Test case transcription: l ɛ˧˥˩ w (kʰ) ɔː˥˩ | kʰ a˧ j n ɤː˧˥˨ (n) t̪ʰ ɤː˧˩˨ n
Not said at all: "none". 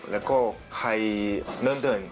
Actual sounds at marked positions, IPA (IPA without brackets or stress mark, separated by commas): k, n